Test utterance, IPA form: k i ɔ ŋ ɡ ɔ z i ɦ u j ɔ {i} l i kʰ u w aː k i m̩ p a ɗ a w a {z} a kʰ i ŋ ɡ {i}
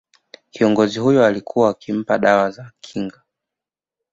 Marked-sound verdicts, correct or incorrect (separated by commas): incorrect, correct, incorrect